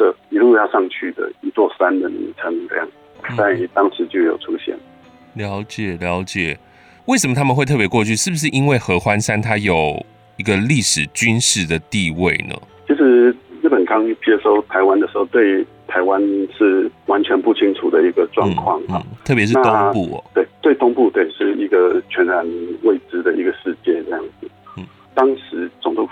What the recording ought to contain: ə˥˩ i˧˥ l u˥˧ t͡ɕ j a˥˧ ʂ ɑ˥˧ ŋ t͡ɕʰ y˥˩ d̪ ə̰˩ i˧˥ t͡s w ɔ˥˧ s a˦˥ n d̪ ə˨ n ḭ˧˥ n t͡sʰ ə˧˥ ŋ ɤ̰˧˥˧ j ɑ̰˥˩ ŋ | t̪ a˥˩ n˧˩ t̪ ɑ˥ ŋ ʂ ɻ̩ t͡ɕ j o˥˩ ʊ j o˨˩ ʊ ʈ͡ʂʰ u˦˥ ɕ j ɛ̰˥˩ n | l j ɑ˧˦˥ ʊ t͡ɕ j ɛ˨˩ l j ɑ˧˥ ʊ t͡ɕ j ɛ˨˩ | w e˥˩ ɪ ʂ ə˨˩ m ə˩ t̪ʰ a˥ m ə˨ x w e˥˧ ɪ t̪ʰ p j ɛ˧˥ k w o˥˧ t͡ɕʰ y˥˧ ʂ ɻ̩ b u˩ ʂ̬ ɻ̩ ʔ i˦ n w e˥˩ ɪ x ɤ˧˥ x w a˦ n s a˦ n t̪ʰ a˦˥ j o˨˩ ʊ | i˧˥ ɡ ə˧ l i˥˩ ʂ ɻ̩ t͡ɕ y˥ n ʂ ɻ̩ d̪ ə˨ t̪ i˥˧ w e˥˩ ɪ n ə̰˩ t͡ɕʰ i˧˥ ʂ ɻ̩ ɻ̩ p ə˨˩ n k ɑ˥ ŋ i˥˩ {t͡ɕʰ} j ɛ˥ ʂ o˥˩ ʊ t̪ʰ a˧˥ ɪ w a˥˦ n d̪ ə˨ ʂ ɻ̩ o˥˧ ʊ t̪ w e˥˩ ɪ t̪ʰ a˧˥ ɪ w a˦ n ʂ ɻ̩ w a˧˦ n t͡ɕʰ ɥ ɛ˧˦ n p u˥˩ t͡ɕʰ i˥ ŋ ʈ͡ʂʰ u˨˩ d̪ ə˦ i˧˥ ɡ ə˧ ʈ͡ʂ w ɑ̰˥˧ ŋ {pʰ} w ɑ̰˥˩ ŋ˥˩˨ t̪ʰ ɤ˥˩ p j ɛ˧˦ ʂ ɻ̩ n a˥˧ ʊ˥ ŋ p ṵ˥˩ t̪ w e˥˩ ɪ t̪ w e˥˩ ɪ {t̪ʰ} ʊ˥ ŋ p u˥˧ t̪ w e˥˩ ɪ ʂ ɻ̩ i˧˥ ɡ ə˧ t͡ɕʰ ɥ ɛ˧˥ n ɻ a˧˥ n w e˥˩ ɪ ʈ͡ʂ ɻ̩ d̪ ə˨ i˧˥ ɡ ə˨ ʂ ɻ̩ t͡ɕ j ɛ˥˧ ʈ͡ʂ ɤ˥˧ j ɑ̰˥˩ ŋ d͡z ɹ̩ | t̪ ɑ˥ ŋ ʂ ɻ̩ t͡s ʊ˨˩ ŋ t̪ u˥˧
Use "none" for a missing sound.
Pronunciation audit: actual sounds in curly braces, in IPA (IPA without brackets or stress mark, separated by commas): t͡ɕ, kʰ, t̪